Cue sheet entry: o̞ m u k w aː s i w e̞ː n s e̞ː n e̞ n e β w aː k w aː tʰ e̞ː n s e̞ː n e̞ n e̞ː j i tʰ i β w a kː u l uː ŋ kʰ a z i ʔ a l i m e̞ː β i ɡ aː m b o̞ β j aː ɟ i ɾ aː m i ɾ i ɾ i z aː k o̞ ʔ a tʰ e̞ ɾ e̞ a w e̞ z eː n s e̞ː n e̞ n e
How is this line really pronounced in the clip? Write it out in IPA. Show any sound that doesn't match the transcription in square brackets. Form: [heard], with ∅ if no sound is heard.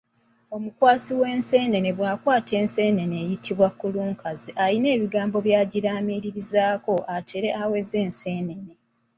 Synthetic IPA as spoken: o̞ m u k w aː s i w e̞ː n s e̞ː n e̞ n e β w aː k w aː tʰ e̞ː n s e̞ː n e̞ n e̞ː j i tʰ i β w a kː u l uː ŋ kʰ a z i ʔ a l i [n] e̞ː β i ɡ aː m b o̞ β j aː ɟ i ɾ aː m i ɾ i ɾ i z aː k o̞ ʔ a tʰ e̞ ɾ e̞ a w e̞ z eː n s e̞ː n e̞ n e